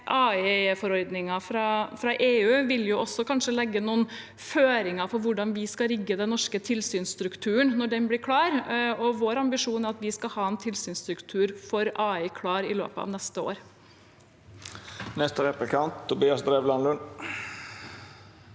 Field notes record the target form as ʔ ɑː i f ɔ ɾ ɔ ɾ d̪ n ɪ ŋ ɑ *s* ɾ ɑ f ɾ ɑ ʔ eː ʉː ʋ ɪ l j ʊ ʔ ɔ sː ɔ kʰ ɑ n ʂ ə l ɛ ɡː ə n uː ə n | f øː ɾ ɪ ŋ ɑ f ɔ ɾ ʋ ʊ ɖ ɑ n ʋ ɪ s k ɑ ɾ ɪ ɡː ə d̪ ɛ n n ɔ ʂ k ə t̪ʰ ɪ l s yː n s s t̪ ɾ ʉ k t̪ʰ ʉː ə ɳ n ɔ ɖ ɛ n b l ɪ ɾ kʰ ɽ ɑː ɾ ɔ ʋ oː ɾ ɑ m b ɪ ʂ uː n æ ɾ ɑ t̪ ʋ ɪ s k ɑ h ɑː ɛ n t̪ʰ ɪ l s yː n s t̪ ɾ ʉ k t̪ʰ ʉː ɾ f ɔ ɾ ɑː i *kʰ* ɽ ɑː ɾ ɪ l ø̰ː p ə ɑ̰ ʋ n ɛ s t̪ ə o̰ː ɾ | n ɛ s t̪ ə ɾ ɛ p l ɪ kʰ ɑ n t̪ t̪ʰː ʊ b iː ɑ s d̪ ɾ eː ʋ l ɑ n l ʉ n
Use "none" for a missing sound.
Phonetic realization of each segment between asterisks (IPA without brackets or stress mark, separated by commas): f, kʰ